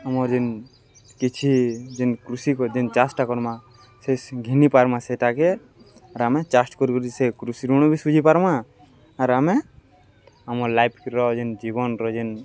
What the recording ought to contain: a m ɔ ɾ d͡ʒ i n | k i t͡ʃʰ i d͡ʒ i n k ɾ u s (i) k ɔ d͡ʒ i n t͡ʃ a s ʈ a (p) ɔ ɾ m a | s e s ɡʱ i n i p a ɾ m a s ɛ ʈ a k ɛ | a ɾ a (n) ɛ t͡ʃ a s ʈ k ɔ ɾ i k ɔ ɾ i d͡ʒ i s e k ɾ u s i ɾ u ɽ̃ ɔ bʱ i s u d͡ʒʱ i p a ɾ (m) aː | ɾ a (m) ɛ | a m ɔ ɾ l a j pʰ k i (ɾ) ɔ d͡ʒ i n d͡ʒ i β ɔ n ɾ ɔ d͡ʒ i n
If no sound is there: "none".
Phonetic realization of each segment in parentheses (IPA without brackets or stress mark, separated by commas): i, k, m, m, m, ɾ